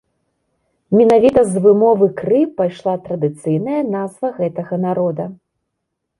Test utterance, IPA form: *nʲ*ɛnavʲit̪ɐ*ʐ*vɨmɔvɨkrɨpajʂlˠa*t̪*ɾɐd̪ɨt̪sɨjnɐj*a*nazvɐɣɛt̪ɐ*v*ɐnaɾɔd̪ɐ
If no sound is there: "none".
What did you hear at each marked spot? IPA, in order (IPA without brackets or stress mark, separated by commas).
mʲ, z, t̪, ɐ, ɣ